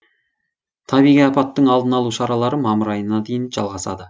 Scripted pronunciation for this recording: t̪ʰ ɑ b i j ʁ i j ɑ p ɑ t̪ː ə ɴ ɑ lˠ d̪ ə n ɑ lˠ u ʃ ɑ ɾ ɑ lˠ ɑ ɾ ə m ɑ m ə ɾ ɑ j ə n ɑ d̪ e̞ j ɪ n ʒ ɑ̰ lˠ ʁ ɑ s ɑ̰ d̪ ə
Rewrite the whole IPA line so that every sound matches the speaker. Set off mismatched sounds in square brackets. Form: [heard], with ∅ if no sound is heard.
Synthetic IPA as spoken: t̪ʰ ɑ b i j ʁ i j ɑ p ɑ t̪ː ə ɴ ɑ lˠ d̪ ə n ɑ lˠ u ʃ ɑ ɾ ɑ lˠ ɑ ɾ ə m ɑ m ə ɾ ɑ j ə n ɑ d̪ e̞ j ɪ n ʒ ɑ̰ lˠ ʁ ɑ s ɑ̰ d̪ ə